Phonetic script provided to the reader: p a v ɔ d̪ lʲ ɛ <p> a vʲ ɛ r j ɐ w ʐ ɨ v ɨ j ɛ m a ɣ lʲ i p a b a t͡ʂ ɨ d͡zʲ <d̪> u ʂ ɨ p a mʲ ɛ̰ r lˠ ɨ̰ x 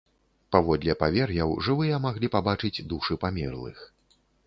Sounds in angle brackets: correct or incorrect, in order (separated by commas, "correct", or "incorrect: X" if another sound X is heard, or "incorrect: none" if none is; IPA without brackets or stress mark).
correct, correct